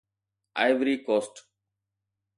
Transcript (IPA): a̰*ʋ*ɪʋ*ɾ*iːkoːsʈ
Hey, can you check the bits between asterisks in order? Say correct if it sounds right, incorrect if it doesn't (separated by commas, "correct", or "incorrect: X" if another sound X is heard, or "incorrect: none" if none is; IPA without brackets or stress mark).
incorrect: none, correct